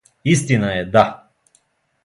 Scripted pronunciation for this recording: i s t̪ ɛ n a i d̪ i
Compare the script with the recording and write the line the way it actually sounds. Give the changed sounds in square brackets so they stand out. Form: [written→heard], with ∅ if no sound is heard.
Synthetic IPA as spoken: i s t̪ [ɛ→i] n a [i→ɛ] d̪ [i→a]